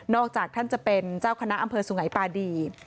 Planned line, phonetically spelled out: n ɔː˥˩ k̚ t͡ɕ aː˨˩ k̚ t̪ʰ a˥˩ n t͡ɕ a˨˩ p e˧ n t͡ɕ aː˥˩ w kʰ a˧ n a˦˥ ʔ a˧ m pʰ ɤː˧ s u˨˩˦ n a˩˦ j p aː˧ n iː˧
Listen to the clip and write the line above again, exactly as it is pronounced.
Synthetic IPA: n ɔː˥˩ k̚ t͡ɕ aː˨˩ k̚ t̪ʰ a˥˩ n t͡ɕ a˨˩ p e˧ n t͡ɕ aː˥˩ w kʰ a˧ n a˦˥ ʔ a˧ m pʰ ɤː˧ s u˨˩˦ ŋ a˩˦ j p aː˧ d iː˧